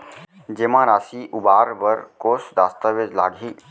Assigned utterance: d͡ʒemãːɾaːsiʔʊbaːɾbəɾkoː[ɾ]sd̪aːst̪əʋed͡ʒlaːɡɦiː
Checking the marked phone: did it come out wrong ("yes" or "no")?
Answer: yes